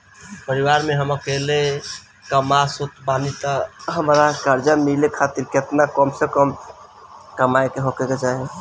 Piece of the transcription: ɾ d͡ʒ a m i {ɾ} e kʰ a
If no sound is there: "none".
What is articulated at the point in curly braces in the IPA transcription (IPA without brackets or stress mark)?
l